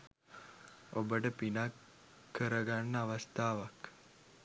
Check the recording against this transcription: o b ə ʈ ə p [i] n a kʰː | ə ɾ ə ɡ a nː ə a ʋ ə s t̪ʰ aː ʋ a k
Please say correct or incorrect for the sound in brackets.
correct